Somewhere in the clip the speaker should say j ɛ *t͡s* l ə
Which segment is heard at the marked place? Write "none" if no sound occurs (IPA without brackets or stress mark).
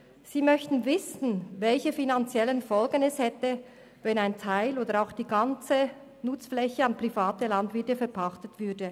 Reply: none